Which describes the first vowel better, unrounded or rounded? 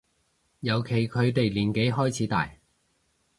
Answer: unrounded